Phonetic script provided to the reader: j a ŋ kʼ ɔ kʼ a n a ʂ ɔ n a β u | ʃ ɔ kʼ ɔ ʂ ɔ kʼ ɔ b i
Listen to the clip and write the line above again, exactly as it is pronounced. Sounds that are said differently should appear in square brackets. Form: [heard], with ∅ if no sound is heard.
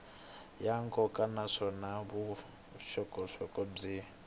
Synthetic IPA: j a ŋ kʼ ɔ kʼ a n a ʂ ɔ n a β u | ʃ ɔ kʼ ɔ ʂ ɔ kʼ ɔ [b͡ʐ] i